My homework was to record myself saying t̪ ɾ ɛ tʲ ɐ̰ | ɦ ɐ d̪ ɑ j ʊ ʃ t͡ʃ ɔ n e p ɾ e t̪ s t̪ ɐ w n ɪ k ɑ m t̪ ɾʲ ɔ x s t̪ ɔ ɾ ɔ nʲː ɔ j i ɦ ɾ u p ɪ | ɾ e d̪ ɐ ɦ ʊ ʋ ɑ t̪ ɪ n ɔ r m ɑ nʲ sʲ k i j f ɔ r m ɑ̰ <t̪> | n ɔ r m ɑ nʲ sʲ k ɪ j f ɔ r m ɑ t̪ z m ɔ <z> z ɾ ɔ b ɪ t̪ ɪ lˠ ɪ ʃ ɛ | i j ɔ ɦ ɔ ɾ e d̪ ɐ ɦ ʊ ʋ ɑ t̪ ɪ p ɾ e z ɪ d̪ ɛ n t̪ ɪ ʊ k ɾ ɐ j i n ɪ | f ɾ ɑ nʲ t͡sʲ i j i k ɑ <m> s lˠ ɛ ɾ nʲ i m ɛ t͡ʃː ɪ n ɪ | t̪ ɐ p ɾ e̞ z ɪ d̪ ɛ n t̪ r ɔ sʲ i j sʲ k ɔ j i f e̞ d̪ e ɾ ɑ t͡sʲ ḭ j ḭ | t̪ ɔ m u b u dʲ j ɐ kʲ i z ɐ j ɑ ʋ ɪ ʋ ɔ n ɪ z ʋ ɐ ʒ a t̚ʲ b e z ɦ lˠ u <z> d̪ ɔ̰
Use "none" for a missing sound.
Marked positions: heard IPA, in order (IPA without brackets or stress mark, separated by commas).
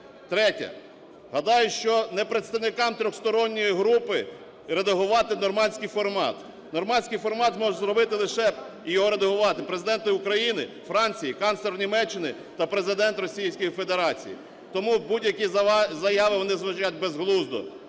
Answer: t̪, ʒ, n, z